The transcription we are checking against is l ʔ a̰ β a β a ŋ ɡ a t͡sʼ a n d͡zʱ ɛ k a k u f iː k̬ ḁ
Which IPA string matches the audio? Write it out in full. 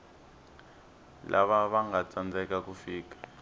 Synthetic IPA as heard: l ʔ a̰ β a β a ŋ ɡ a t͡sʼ a n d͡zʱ ɛ k a k u f iː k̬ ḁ